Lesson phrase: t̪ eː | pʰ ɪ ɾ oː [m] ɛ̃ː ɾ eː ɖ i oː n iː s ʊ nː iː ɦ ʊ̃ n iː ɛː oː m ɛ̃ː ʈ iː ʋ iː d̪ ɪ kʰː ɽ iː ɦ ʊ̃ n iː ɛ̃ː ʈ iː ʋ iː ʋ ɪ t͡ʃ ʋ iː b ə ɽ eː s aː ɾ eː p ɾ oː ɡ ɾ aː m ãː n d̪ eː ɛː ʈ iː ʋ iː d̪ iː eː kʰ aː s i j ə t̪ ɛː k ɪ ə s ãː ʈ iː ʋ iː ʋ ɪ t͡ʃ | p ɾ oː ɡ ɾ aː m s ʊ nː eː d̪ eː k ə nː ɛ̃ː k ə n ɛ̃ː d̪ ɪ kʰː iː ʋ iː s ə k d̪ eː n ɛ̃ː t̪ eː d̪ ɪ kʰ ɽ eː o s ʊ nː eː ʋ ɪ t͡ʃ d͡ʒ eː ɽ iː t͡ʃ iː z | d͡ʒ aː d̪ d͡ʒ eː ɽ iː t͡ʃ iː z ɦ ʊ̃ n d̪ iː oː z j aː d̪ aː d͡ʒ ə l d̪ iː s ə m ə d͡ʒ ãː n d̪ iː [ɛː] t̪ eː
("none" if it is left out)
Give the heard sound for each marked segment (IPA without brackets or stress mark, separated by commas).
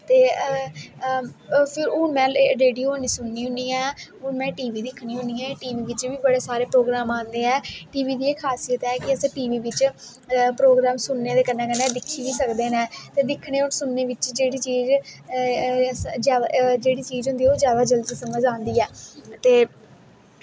m, ɛː